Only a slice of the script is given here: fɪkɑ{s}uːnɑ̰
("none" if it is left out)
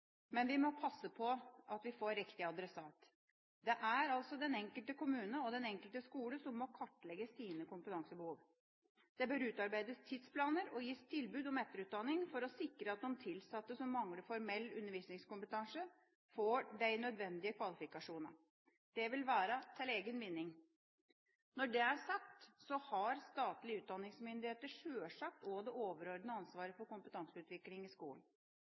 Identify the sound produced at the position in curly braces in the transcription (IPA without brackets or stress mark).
ʂ